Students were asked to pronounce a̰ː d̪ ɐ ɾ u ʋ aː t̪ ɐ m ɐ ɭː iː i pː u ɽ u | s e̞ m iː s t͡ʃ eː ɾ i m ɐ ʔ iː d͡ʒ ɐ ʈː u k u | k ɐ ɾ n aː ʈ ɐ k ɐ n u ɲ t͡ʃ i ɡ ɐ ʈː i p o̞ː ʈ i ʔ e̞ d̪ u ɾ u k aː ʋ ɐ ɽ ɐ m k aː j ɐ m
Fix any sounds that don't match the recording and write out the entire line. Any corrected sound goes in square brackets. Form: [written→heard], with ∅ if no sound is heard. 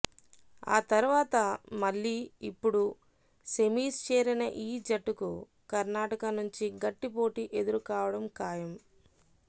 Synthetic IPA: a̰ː [d̪→t̪] ɐ ɾ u ʋ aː t̪ ɐ m ɐ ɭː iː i pː u ɽ u | s e̞ m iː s t͡ʃ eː ɾ i [m→n] ɐ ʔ iː d͡ʒ ɐ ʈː u k u | k ɐ ɾ n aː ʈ ɐ k ɐ n u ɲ t͡ʃ i ɡ ɐ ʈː i p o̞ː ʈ i ʔ e̞ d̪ u ɾ u k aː ʋ ɐ ɽ ɐ m k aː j ɐ m